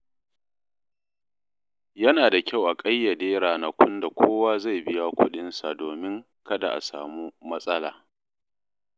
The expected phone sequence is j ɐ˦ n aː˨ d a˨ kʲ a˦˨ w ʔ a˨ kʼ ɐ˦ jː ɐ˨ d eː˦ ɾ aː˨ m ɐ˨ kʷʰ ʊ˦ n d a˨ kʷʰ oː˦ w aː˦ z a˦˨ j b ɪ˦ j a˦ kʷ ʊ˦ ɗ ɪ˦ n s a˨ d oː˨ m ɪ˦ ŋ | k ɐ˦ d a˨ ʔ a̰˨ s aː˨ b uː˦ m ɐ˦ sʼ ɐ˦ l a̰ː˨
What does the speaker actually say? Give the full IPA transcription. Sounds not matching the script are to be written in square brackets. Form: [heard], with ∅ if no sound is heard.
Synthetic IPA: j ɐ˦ n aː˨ d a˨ kʲ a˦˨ w ʔ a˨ kʼ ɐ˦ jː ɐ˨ d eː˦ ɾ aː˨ [n] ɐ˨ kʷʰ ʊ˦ n d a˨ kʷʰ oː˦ w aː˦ z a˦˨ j b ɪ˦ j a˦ kʷ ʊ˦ ɗ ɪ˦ n s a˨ d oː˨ m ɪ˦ ŋ | k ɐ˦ d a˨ ʔ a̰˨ s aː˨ [m] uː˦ m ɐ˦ sʼ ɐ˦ l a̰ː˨